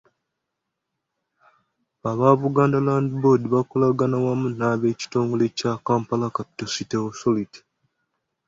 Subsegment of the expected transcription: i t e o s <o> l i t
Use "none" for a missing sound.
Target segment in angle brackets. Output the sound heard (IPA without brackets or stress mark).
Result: o